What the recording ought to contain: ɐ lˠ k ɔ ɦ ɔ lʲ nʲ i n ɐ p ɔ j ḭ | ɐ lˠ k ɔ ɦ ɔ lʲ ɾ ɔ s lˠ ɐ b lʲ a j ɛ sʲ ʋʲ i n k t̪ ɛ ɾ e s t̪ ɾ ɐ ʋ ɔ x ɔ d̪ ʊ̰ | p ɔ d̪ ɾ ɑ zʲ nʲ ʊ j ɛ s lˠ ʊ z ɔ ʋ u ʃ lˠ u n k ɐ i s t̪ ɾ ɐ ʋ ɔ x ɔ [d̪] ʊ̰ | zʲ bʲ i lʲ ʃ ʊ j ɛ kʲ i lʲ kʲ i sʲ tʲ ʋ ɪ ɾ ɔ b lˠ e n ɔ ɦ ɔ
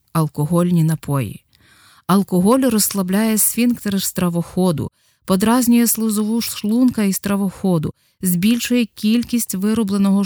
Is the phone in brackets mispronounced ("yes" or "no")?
no